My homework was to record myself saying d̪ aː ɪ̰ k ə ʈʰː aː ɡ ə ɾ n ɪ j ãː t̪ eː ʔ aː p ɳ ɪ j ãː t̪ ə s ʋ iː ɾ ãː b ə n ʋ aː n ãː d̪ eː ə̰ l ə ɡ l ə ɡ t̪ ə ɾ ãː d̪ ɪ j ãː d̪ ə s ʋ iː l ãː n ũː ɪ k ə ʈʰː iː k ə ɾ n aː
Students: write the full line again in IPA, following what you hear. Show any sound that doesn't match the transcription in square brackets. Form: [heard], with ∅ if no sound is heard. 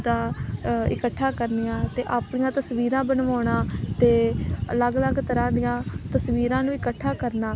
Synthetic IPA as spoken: d̪ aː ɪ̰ k ə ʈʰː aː [k] ə ɾ n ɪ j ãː t̪ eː ʔ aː p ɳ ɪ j ãː t̪ ə s ʋ iː ɾ ãː b ə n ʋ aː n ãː [t̪] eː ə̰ l ə ɡ l ə ɡ t̪ ə ɾ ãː d̪ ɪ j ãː [t̪] ə s ʋ iː [ɾ] ãː n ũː ɪ k ə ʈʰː [aː] k ə ɾ n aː